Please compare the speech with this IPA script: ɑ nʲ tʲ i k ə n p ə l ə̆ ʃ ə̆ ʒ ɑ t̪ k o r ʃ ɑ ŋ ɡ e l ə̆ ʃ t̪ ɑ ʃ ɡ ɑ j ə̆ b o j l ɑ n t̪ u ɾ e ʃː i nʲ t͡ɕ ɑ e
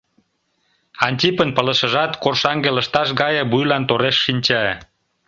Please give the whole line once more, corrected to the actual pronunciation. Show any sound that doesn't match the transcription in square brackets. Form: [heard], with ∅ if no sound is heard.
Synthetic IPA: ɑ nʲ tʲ i [p] ə n p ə l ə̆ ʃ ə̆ ʒ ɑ t̪ k o r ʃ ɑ ŋ ɡ e l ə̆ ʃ t̪ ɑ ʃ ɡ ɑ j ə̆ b [u] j l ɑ n t̪ [o] ɾ e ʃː i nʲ t͡ɕ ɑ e